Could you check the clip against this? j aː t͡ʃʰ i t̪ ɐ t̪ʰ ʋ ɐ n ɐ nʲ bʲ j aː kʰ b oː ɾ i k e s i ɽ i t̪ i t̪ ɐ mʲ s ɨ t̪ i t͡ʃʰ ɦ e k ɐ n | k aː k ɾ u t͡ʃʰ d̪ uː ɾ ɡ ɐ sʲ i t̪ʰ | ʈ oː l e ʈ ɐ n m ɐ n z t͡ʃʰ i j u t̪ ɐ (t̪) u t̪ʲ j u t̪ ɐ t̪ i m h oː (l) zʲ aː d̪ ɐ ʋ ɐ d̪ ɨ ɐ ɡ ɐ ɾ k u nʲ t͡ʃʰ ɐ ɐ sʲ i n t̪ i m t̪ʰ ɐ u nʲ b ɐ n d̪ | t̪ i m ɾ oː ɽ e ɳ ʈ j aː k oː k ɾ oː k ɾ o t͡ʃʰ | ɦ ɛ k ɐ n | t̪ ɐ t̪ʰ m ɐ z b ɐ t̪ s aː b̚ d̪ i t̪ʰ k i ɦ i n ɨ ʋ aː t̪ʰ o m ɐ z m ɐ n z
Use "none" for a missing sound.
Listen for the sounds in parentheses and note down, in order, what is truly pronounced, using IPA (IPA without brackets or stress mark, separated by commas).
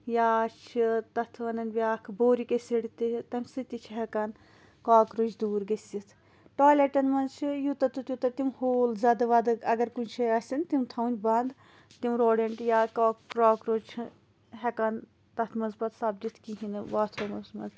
t̪, l